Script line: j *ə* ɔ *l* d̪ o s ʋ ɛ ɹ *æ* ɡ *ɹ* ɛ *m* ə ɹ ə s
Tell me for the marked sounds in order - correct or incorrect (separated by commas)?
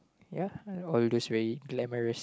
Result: incorrect, correct, incorrect, incorrect, correct